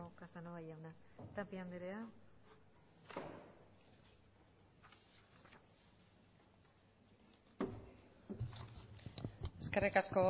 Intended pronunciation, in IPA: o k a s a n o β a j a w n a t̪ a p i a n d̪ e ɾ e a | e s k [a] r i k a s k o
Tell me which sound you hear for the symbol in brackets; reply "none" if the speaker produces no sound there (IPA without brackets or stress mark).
e